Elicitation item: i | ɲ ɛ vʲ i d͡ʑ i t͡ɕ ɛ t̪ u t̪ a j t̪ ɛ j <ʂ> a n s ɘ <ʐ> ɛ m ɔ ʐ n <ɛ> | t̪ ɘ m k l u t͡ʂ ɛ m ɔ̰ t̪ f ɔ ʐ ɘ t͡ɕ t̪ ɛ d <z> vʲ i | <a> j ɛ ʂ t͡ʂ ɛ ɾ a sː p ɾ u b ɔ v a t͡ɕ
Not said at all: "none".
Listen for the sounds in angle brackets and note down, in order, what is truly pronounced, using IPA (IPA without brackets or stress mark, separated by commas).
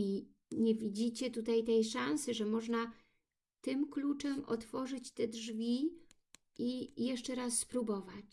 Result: ʂ, ʐ, a, ʐ, i